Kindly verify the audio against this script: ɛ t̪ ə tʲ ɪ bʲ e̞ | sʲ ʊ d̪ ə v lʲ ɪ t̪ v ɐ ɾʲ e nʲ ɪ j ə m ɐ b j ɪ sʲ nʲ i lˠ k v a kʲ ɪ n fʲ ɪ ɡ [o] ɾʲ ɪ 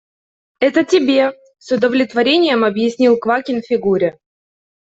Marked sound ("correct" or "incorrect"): incorrect